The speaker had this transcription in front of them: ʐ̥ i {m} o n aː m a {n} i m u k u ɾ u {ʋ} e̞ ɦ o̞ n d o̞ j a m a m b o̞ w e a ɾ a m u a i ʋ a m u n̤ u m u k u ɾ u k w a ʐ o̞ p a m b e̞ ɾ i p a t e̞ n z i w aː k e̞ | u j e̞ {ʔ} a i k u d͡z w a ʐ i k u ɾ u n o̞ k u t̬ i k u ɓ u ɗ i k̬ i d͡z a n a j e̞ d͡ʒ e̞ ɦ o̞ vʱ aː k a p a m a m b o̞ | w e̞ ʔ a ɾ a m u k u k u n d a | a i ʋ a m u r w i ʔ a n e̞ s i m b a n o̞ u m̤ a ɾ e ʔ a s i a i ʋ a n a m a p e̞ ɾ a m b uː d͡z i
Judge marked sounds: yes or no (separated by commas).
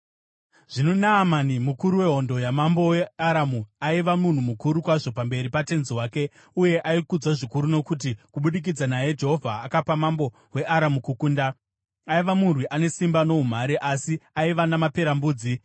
no, yes, no, yes